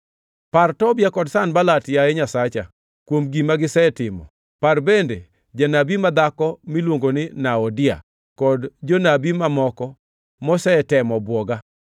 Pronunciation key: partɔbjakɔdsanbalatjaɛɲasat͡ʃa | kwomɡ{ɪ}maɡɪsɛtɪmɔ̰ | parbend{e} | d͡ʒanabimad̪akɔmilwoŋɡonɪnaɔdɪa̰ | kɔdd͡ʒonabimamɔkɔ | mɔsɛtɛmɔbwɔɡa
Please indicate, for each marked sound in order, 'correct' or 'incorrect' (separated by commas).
incorrect, correct